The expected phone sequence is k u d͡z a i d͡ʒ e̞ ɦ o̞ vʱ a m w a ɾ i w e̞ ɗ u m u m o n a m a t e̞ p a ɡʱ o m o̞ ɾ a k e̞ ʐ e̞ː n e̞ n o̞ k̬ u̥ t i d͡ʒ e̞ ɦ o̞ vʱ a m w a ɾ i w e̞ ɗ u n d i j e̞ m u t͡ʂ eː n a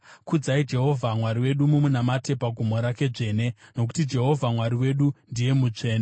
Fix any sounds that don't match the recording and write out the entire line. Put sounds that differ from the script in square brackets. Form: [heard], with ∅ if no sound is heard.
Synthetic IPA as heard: k u d͡z a i d͡ʒ e̞ ɦ o̞ vʱ a m w a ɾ i w e̞ ɗ u m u m [u] n a m a t e̞ p a ɡʱ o m o̞ ɾ a k e̞ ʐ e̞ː n e̞ n o̞ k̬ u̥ t i d͡ʒ e̞ ɦ o̞ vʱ a m w a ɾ i w e̞ ɗ u n d i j e̞ m u t͡ʂ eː n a